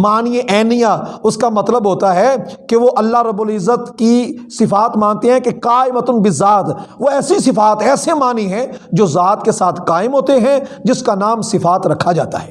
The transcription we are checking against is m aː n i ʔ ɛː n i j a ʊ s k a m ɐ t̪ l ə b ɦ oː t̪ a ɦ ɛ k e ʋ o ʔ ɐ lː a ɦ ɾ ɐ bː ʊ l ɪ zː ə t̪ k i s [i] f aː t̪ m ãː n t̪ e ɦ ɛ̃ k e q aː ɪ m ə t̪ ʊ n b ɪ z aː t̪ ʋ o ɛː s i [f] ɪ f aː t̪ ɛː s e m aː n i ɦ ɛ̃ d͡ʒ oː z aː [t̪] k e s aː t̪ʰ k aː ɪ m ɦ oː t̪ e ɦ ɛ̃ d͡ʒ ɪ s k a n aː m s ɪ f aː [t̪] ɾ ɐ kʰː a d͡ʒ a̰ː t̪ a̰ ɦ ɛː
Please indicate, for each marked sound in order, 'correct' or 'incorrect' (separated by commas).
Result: incorrect, incorrect, correct, correct